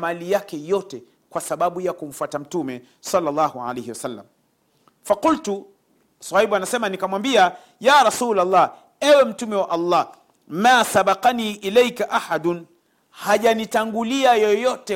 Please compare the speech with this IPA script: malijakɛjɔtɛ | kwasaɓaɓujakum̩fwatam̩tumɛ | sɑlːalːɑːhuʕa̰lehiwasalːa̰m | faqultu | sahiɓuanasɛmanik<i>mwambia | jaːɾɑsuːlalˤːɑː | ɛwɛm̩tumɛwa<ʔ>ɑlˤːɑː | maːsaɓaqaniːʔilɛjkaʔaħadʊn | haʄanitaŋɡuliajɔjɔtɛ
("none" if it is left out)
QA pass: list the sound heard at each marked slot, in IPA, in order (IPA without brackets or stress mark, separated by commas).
a, ʔ